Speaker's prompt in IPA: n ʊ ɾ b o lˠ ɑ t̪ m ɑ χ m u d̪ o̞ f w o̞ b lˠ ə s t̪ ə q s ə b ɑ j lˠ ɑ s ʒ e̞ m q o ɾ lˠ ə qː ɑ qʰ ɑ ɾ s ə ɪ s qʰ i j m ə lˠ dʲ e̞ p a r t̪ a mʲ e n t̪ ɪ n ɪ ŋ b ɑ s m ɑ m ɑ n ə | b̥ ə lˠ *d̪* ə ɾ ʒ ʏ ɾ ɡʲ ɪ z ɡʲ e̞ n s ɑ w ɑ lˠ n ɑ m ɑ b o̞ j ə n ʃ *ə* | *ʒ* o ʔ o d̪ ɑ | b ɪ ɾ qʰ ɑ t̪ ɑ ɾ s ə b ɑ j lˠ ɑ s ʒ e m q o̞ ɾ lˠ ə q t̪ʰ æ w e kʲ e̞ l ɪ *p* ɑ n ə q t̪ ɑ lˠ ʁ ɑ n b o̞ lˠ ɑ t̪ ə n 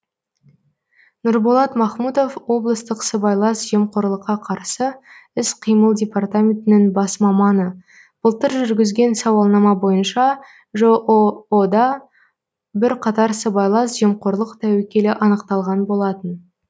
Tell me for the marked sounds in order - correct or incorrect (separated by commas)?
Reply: incorrect, incorrect, correct, incorrect